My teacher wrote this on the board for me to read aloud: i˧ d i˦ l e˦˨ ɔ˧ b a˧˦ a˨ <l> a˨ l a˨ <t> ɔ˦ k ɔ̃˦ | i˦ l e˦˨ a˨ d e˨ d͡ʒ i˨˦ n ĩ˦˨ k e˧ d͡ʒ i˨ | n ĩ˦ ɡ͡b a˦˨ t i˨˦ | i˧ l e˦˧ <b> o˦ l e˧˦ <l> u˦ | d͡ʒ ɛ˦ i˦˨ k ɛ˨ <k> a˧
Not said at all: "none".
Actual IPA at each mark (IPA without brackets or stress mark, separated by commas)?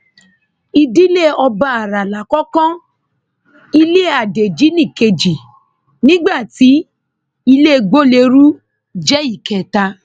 ɾ, k, ɡ͡b, ɾ, t